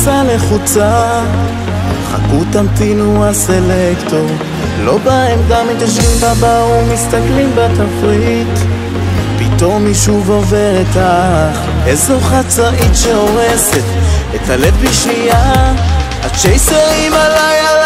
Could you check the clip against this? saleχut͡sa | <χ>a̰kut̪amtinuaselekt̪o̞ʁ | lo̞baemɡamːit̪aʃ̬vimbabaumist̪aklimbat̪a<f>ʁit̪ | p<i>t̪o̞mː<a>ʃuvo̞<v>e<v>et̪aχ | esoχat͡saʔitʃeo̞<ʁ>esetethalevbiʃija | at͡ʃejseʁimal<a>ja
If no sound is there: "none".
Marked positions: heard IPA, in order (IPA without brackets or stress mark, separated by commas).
χ, f, i, i, v, ʁ, ʁ, a